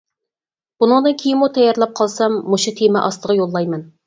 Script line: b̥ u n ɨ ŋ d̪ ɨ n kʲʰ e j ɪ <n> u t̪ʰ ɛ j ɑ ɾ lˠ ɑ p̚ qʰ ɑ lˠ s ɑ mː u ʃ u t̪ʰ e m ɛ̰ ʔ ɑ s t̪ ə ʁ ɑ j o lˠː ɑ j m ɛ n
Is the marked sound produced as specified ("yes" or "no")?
no